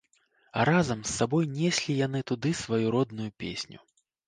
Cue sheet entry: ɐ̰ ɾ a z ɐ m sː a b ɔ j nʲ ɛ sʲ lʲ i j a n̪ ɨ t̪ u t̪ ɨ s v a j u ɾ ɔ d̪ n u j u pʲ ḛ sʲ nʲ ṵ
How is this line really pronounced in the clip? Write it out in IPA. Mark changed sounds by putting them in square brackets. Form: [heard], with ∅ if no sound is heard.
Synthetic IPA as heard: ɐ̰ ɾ a z ɐ m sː a b ɔ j nʲ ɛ sʲ lʲ i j a n̪ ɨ t̪ u [d̪] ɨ s v a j u ɾ ɔ d̪ n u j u pʲ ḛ sʲ nʲ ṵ

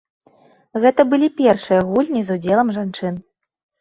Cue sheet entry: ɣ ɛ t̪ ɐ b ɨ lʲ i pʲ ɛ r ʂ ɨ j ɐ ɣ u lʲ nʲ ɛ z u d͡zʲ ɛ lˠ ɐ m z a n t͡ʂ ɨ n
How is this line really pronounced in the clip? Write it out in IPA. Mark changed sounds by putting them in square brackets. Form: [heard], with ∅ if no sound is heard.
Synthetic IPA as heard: ɣ ɛ t̪ ɐ b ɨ lʲ i pʲ ɛ r ʂ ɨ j ɐ ɣ u lʲ nʲ [i] z u d͡zʲ ɛ lˠ ɐ m [ʐ] a n t͡ʂ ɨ n

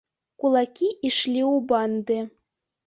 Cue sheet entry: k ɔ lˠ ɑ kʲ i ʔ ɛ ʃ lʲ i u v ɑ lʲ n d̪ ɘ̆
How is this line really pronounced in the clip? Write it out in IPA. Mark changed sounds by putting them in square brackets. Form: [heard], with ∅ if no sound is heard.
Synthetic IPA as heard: k [u] lˠ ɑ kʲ i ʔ [i] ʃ lʲ i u [b] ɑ [∅] n d̪ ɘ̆

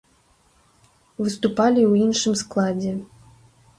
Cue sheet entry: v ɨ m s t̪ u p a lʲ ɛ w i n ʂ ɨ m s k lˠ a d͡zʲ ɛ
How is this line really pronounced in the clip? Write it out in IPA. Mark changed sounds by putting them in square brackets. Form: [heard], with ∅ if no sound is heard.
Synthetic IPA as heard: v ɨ [∅] s t̪ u p a lʲ [i] w i n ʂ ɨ m s k lˠ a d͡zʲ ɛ

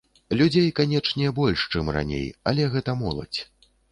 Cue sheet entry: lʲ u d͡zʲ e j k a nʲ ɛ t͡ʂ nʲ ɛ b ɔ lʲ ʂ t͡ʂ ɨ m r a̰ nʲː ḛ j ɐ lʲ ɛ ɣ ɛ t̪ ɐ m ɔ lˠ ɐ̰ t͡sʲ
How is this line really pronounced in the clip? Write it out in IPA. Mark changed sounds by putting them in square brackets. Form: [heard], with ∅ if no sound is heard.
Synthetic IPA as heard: lʲ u d͡zʲ e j k a nʲ ɛ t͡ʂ nʲ ɛ b ɔ lʲ ʂ t͡ʂ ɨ m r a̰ [nʲ] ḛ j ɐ lʲ ɛ ɣ ɛ t̪ ɐ m ɔ lˠ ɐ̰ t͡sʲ

